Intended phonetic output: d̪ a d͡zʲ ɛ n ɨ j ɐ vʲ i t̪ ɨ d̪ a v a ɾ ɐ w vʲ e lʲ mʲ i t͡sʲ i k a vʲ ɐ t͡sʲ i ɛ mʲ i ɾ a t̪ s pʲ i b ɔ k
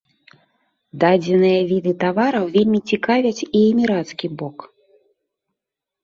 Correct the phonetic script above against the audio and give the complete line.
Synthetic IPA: d̪ a d͡zʲ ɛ n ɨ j ɐ vʲ i d̪ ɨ t̪ a v a ɾ ɐ w vʲ e lʲ mʲ i t͡sʲ i k a vʲ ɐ t͡sʲ i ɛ mʲ i ɾ a t̪ s kʲ i b ɔ k